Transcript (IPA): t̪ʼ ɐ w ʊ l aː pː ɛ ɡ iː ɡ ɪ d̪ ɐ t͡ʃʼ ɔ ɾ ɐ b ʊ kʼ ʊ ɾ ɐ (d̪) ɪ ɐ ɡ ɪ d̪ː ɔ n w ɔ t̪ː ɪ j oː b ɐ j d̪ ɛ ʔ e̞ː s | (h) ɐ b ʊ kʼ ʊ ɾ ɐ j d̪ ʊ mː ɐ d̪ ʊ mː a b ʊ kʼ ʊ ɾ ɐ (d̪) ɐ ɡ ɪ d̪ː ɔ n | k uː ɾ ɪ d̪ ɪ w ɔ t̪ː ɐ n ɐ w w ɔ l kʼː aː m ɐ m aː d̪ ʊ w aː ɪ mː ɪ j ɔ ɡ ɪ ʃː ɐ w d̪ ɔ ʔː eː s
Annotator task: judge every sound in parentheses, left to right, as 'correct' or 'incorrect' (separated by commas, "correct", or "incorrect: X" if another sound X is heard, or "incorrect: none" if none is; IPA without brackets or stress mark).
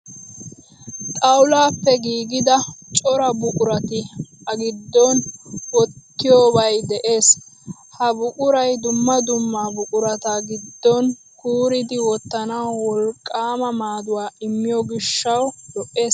incorrect: t̪, correct, incorrect: t̪